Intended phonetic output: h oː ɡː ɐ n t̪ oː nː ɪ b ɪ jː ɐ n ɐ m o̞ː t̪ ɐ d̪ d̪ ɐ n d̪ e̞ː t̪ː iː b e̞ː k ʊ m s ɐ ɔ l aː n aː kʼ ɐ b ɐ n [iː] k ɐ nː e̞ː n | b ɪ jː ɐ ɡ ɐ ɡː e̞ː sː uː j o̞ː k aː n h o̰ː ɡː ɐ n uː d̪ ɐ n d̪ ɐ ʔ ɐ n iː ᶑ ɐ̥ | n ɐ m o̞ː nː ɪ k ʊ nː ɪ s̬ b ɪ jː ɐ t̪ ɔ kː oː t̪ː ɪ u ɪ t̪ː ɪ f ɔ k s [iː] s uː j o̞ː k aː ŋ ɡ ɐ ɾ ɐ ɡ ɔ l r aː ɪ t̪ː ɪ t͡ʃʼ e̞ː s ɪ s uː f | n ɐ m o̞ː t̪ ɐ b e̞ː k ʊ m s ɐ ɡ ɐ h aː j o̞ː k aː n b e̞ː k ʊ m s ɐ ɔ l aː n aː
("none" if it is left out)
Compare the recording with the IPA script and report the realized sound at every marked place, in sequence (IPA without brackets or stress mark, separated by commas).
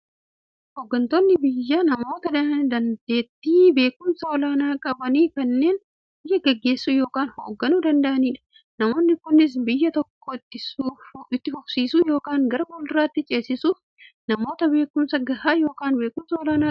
iː, iː